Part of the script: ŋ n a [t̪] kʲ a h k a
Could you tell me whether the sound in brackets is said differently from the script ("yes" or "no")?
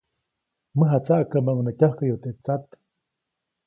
yes